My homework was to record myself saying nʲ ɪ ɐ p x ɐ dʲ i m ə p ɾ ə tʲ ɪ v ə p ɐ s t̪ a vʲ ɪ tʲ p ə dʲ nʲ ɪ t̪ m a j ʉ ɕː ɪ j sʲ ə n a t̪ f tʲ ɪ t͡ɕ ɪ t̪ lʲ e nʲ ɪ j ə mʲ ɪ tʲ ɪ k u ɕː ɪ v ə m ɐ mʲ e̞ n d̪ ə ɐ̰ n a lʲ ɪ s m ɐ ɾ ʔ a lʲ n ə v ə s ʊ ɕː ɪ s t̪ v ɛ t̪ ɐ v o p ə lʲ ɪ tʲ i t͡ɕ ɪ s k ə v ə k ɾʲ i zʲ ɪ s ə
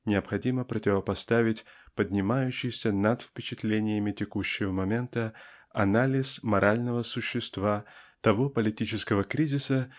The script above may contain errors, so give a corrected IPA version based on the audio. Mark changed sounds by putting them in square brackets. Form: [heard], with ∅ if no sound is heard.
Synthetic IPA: nʲ ɪ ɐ p x ɐ dʲ i m ə p ɾ ə tʲ ɪ v ə p ɐ s t̪ a vʲ ɪ tʲ p ə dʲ nʲ ɪ [∅] m a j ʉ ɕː ɪ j sʲ ə n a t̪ f [pʲ] ɪ t͡ɕ ɪ t̪ lʲ e nʲ ɪ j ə mʲ ɪ tʲ ɪ k u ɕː ɪ v ə m ɐ mʲ e̞ n [t̪] ə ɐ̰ n a lʲ ɪ s m ɐ ɾ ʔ a lʲ n ə v ə s ʊ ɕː ɪ s t̪ v [a] t̪ ɐ v o p ə lʲ ɪ tʲ i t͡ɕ ɪ s k ə v ə k ɾʲ i zʲ ɪ s ə